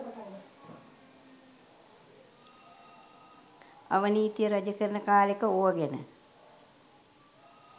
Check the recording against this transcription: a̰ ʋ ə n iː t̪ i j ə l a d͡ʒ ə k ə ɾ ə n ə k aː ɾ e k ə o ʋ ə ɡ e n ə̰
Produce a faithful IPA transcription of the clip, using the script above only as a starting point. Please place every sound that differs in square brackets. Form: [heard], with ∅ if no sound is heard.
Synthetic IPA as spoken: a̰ ʋ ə n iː t̪ i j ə [ɾ] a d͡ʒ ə k ə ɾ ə n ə k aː [l] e k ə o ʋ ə ɡ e n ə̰